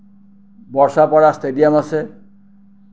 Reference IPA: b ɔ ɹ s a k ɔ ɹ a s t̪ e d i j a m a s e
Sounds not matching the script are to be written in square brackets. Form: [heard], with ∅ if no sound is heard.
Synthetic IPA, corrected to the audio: b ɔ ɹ s a [p] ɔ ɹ a s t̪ e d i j a m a s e